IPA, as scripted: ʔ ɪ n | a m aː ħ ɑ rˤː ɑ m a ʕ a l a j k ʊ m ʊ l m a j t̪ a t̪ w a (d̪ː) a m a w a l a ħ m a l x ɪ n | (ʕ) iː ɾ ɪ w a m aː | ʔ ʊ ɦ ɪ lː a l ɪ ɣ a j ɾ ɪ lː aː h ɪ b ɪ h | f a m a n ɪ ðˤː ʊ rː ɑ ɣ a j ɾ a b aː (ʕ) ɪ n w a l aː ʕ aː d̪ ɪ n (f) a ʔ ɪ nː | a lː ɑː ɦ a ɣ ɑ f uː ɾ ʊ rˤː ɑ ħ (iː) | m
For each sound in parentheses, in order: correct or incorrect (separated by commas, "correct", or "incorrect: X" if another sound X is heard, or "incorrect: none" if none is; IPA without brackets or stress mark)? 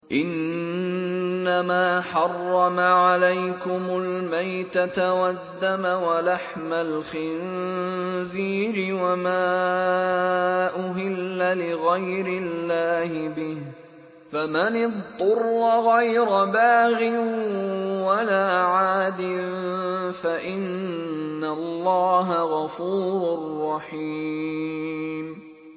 correct, incorrect: z, incorrect: ɣ, correct, correct